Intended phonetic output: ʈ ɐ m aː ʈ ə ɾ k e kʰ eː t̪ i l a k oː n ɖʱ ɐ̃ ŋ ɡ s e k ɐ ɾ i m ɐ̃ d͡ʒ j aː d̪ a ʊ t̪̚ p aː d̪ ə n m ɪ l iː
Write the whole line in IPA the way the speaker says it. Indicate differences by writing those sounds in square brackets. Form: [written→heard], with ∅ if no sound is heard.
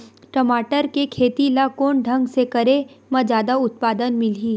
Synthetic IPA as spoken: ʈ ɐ m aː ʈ ə ɾ k e kʰ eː t̪ i l a k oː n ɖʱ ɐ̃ ŋ ɡ s e k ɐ ɾ [i→e] m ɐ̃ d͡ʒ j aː d̪ a ʊ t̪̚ p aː d̪ ə n m ɪ l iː